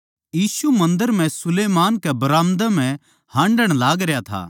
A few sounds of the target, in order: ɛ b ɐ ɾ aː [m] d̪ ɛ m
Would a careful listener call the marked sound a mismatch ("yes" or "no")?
no